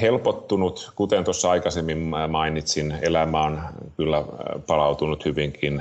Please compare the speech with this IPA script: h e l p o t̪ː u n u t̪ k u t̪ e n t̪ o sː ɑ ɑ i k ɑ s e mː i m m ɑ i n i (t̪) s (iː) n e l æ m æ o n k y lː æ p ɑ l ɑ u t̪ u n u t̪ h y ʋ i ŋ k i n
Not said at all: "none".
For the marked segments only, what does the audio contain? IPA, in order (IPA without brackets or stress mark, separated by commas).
t̪, i